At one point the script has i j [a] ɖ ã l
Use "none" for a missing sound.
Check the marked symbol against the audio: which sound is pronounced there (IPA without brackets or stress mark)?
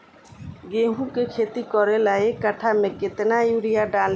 a